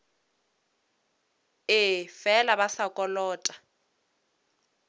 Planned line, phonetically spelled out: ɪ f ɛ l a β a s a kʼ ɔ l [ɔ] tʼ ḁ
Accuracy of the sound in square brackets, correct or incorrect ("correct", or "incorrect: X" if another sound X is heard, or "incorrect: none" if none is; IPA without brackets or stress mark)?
incorrect: ɔː